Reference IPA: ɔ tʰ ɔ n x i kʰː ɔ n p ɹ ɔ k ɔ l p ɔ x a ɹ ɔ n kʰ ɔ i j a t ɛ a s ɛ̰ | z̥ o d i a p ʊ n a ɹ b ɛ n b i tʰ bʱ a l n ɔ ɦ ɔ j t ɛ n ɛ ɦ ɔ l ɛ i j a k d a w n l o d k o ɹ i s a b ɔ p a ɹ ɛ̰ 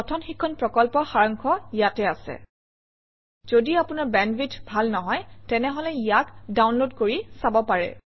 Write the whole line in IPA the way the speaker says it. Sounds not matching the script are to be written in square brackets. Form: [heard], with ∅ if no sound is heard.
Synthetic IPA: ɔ tʰ ɔ n x i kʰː ɔ n p ɹ ɔ k ɔ l p ɔ x a ɹ ɔ [ŋ] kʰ ɔ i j a t ɛ a s ɛ̰ | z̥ o d i a p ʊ n a ɹ b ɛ n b i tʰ bʱ a l n ɔ ɦ ɔ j t ɛ n ɛ ɦ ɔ l ɛ i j a k d a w n l o d k o ɹ i s a b ɔ p a ɹ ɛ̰